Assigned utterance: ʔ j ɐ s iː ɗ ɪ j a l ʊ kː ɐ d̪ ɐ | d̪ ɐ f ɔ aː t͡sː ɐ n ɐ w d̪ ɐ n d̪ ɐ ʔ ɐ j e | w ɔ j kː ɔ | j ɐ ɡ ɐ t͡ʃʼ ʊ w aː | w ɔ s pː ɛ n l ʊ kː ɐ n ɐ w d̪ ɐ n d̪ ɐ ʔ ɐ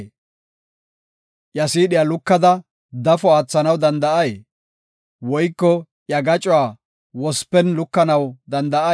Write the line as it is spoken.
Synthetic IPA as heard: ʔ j ɐ s iː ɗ ɪ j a l ʊ kː ɐ d̪ ɐ | d̪ ɐ f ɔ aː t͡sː ɐ n ɐ w d̪ ɐ n d̪ ɐ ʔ ɐ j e | w ɔ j kː ɔ | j ɐ ɡ ɐ t͡ʃʼ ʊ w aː | w ɔ s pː ɛ n l ʊ kː ɐ n ɐ w d̪ ɐ n d̪ ɐ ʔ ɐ